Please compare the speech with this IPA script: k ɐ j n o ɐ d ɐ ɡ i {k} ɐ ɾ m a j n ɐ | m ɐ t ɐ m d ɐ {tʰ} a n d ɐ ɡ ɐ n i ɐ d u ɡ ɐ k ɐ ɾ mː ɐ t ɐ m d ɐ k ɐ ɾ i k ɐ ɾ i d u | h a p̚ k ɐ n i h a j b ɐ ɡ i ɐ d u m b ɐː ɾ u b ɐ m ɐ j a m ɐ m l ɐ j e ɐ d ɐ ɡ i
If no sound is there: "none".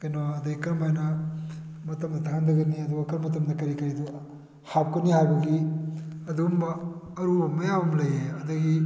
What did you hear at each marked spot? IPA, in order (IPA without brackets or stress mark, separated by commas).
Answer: k, tʰ